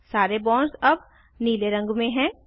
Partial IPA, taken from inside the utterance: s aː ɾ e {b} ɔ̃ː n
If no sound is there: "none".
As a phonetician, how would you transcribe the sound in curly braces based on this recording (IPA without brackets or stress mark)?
b